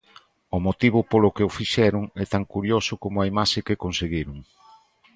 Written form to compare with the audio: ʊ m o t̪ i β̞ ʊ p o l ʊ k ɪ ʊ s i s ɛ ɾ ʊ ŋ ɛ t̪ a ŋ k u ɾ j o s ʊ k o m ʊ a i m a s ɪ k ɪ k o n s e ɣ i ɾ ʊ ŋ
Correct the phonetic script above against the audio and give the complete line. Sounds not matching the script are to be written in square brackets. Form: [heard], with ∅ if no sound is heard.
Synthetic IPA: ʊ m o t̪ i β̞ ʊ p o l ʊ k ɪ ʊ [f] i [ʃ] ɛ ɾ ʊ ŋ ɛ t̪ a ŋ k u ɾ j o s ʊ k o m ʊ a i m a [ʃ] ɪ k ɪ k o n s e ɣ i ɾ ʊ ŋ